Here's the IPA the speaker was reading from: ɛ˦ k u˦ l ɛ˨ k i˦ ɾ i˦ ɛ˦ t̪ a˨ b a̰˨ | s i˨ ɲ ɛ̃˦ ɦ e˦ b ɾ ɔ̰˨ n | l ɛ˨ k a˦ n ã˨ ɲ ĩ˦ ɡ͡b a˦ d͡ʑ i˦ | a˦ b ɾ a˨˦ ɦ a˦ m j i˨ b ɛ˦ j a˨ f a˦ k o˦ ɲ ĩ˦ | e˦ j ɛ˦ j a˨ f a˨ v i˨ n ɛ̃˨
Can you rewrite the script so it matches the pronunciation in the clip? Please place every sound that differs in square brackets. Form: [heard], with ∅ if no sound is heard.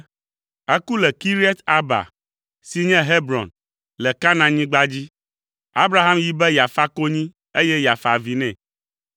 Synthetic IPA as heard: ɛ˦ k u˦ l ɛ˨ k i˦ ɾ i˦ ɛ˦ t̪ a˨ b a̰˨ | s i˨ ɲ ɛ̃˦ ɦ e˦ b ɾ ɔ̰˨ n | l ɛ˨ k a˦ n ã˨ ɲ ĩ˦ ɡ͡b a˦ d͡ʑ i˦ | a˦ b ɾ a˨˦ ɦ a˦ m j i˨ b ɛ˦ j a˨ f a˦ k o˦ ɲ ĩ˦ | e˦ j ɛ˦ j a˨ f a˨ v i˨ n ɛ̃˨

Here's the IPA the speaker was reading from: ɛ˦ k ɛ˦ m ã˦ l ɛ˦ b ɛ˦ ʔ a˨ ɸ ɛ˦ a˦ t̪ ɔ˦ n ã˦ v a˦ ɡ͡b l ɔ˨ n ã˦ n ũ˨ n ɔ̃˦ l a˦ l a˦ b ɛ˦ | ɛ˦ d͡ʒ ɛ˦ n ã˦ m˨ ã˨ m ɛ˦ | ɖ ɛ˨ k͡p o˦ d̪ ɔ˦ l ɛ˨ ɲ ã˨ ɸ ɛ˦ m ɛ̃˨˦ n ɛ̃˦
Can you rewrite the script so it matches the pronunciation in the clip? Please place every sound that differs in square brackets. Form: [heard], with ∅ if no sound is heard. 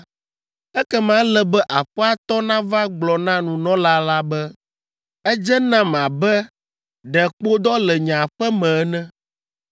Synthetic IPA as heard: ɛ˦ k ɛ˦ m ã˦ l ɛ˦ b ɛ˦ ʔ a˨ ɸ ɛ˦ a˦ t̪ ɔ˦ n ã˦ v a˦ ɡ͡b l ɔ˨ n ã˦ n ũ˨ n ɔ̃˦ l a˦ l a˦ b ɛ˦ | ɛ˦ d͡ʒ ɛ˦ n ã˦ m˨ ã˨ [b] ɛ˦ | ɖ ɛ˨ k͡p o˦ d̪ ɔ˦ l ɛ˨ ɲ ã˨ ɸ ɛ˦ m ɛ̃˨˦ n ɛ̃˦

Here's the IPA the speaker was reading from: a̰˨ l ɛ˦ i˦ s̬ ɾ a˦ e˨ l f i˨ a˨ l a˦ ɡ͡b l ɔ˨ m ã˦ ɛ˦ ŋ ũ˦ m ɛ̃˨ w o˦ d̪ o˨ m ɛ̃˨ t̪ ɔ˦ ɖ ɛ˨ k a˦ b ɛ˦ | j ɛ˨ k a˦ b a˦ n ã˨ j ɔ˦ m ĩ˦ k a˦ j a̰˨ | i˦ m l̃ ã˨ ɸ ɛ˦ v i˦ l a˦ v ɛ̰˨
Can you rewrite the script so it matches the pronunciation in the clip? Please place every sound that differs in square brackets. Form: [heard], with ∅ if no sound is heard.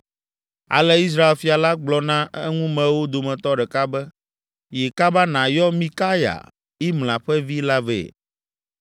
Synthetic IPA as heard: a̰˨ l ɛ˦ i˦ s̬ ɾ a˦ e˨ l f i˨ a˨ l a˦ ɡ͡b l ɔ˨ [n] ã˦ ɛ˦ ŋ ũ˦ m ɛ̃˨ w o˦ d̪ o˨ m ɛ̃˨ t̪ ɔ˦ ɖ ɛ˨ k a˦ b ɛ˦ | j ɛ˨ k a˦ b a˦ n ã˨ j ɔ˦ m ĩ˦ k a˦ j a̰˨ | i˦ m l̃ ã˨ ɸ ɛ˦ v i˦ l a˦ v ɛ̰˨

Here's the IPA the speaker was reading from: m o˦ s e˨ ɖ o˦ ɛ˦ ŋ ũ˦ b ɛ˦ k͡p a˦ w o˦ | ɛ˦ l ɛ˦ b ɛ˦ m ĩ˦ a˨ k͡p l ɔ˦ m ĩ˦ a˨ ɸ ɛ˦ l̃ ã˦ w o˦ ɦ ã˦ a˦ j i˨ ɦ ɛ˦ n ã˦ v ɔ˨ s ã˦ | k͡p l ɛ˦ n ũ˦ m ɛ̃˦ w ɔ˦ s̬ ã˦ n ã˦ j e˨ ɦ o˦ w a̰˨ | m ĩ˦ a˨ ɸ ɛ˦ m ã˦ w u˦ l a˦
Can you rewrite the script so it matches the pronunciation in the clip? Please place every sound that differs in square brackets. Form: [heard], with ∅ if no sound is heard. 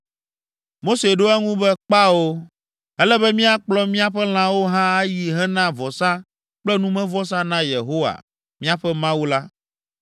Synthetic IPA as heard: m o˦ s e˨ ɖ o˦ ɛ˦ ŋ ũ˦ b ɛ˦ k͡p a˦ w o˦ | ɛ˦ l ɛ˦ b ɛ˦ m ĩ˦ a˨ k͡p l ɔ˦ m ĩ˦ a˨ ɸ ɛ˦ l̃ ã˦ w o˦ ɦ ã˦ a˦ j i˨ ɦ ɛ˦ n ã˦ v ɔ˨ s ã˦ | k͡p l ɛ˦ n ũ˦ m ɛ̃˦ [v] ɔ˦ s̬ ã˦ n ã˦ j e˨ ɦ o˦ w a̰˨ | m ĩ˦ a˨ ɸ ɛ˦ m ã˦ w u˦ l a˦

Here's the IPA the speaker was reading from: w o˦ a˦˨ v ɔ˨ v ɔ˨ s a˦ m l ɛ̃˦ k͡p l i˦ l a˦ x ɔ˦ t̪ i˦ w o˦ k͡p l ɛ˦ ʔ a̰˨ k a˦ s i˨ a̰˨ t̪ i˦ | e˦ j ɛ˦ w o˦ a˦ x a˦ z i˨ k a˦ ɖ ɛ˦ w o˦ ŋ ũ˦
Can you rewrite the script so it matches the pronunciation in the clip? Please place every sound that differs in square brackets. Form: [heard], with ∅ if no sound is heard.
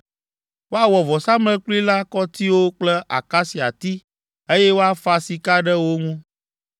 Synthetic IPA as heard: w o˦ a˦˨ [w] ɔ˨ v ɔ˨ s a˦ m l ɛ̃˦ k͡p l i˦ l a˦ [k] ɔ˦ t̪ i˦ w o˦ k͡p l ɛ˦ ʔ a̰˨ k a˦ s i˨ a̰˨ t̪ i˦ | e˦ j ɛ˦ w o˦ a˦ [f] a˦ [s] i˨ k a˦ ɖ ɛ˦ w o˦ ŋ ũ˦

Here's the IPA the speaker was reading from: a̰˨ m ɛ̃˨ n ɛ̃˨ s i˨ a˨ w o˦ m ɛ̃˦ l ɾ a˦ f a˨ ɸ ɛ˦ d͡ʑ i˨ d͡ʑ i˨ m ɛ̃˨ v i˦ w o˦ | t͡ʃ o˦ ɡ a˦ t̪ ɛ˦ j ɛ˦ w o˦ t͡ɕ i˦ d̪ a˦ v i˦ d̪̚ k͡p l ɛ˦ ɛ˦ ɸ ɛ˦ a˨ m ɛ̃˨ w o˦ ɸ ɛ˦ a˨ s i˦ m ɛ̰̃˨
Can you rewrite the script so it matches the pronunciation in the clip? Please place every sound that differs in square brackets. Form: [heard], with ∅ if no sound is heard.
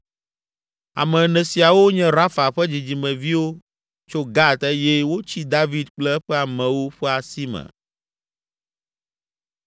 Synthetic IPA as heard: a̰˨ m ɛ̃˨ n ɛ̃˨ s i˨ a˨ w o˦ [ɲ] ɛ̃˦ [∅] ɾ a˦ f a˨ ɸ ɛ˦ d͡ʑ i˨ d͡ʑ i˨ m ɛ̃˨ v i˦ w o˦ | t͡ʃ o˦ ɡ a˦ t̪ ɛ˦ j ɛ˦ w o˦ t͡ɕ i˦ d̪ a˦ v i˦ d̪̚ k͡p l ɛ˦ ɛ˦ ɸ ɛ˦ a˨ m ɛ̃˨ w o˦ ɸ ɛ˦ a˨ s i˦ m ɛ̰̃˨

